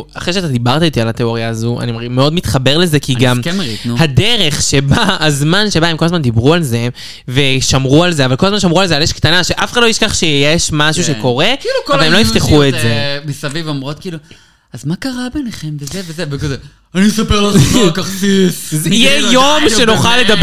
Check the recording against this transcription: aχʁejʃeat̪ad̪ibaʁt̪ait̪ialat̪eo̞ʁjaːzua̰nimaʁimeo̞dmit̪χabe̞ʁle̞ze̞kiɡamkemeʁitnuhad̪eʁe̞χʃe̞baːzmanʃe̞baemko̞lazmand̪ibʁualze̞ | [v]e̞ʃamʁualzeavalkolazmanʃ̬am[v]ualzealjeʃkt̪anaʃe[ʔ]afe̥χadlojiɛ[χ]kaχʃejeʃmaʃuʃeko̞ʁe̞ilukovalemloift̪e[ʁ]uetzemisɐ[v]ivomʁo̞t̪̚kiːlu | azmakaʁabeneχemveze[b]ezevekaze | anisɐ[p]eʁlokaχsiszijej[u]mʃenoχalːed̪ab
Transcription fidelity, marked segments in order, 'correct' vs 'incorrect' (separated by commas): correct, incorrect, correct, incorrect, incorrect, correct, incorrect, correct, incorrect